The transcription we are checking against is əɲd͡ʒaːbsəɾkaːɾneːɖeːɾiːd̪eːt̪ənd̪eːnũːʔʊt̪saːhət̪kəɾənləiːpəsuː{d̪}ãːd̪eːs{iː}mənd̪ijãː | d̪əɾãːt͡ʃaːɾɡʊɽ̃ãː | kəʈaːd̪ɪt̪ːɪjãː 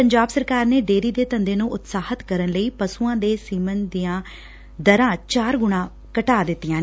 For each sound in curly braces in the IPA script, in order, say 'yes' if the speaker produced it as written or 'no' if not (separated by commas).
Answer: no, yes